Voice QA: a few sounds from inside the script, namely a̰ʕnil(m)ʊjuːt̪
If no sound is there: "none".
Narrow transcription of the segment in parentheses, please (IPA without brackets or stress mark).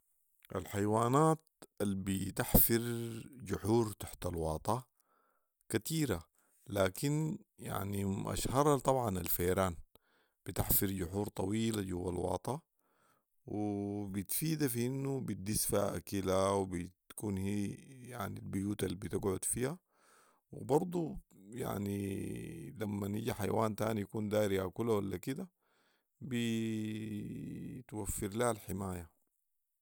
b